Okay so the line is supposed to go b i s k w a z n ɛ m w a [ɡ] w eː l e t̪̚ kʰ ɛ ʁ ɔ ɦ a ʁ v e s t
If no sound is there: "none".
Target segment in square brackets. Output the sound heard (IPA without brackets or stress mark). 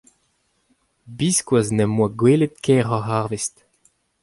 ɡ